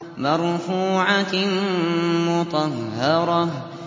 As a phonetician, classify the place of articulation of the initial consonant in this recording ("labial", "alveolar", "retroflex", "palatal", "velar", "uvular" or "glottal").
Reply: labial